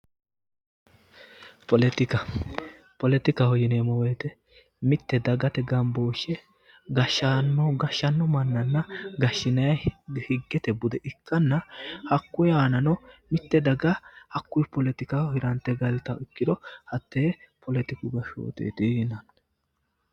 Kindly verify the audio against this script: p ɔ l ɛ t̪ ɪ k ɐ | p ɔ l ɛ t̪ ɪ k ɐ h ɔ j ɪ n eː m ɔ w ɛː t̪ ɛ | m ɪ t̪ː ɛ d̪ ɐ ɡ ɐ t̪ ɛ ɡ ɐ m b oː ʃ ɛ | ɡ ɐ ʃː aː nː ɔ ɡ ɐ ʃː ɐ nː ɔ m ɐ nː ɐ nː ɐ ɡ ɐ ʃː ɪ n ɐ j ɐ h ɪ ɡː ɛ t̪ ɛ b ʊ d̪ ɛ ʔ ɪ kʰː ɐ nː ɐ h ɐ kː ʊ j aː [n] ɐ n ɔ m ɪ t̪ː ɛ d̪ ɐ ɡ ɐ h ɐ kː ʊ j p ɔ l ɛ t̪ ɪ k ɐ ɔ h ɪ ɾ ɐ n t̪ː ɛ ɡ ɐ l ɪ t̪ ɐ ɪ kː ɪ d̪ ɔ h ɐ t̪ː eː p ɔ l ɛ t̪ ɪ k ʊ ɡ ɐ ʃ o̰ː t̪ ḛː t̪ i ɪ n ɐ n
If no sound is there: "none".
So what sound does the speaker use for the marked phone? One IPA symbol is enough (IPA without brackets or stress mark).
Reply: n